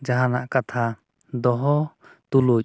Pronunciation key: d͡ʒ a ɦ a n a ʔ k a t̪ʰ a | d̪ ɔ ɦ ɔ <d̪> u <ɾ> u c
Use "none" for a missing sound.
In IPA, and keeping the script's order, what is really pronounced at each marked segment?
t̪, l

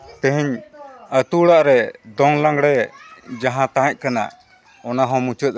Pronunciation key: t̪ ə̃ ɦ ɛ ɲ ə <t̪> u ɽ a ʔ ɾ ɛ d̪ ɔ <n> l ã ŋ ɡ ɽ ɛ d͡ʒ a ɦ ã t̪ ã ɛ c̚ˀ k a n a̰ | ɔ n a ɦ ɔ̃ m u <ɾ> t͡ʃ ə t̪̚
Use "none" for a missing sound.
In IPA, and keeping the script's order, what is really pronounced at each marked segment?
t̪, ŋ, none

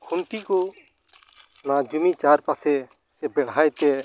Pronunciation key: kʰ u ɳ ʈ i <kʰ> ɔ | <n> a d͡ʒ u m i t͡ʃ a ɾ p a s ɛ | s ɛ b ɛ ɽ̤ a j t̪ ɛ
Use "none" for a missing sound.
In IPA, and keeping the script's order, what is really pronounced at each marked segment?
k, n

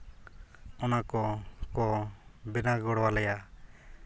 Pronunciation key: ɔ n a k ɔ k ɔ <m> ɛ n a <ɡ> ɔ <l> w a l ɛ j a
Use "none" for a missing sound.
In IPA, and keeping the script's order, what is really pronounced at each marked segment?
b, ɡ, ɽ

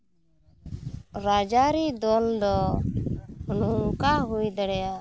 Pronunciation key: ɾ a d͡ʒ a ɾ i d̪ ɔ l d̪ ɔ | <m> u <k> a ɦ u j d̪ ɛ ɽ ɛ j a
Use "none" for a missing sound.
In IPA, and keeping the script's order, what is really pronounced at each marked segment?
n, k

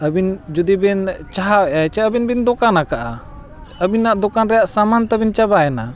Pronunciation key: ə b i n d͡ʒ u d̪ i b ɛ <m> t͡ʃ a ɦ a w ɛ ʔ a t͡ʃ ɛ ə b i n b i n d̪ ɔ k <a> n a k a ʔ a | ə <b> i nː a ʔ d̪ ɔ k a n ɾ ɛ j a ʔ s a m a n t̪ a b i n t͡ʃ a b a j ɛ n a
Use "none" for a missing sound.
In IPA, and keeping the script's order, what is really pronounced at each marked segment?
n, a, b

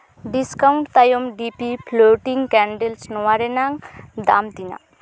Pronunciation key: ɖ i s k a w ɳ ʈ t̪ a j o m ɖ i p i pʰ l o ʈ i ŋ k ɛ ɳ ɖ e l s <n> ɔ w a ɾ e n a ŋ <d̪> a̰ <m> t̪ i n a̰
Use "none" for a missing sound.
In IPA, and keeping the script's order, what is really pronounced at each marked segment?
n, d̪, m

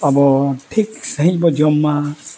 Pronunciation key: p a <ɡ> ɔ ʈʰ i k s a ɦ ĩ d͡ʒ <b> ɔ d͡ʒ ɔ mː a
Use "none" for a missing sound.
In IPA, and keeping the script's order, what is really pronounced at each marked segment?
b, b

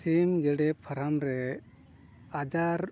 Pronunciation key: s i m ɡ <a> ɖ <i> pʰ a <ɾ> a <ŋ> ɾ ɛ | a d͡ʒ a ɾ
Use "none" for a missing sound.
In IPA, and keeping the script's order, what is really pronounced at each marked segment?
ɛ, ɛ, ɾ, m

